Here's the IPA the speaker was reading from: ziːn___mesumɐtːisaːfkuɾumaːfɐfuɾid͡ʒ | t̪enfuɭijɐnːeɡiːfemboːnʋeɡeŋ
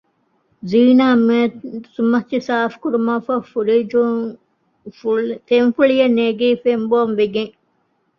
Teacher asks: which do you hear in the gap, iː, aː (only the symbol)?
aː